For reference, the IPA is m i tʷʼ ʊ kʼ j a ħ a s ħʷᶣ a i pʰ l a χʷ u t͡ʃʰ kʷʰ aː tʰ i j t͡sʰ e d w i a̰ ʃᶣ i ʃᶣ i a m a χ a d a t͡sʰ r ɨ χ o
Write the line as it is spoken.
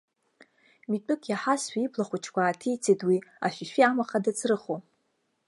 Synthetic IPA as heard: m i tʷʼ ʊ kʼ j a ħ a s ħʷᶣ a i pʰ l a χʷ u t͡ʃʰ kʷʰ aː tʰ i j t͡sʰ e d w i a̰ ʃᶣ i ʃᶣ i a m a χ a d a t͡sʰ r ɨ χ o